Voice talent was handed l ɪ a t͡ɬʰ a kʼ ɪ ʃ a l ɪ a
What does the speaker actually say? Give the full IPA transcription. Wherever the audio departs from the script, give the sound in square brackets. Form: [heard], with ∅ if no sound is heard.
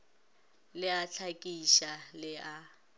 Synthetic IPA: l ɪ a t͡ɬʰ a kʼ [i] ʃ a l ɪ a